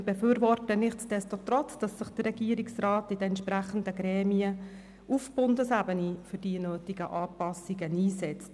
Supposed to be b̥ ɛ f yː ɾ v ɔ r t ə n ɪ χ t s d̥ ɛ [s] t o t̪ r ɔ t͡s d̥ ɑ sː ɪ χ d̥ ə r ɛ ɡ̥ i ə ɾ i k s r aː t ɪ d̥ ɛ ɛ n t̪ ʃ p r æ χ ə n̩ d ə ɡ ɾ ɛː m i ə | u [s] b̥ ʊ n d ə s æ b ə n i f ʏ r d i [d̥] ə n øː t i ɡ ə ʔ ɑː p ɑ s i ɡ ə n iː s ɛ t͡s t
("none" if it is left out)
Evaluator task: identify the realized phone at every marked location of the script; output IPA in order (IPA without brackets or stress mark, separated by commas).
s, f, none